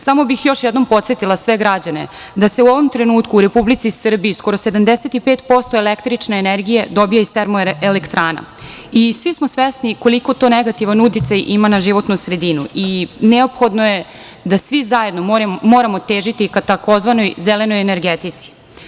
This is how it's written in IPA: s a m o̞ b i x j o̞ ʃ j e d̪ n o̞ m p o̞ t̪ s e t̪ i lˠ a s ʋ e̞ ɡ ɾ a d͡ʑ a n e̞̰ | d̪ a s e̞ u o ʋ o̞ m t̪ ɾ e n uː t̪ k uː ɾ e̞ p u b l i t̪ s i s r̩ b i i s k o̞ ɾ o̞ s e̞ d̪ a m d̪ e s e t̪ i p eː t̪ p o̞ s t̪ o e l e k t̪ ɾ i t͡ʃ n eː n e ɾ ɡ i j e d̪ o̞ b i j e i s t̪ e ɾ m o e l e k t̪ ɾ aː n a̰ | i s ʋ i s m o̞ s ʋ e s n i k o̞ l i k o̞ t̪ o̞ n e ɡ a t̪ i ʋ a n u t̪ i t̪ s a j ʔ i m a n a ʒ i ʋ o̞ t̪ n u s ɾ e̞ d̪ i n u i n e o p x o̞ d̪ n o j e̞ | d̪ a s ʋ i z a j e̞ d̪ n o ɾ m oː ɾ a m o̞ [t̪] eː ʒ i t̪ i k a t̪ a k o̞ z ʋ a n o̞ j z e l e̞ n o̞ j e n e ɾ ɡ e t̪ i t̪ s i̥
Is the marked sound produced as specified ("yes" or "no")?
yes